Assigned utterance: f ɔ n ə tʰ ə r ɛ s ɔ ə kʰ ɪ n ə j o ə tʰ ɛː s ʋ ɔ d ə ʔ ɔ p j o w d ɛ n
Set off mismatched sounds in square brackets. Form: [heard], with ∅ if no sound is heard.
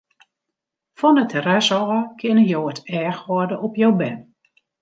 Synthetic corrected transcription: f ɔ n ə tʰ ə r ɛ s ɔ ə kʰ ɪ n ə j o ə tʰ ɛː [x] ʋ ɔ d ə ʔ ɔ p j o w [b] ɛ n